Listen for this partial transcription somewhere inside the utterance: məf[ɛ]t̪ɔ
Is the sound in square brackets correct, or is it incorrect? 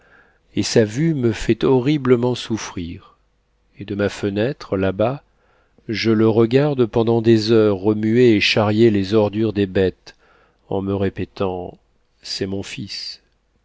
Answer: correct